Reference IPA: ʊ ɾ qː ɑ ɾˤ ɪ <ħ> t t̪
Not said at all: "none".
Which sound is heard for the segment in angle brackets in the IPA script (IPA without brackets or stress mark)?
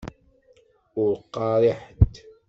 ħ